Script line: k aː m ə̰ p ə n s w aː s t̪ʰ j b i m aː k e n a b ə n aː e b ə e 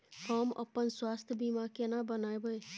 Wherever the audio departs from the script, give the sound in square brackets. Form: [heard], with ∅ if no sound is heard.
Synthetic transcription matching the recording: k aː m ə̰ p ə n s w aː s t̪ʰ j b i m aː k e n a b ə n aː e b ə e